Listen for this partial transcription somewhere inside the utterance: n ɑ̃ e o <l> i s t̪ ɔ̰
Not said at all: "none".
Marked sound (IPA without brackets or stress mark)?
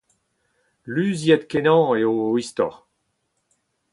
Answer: none